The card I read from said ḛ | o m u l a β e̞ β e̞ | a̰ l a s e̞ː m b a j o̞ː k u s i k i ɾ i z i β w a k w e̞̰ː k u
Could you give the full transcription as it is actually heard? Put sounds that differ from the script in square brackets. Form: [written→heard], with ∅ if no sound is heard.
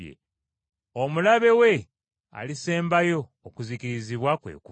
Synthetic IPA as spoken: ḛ | o m u l a β e̞ [β→w] e̞ | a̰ l [a→i] s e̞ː m b a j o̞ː k u [s→z] i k i ɾ i z i β w a k w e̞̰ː k u